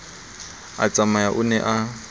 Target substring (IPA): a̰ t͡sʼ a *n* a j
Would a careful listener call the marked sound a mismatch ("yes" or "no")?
yes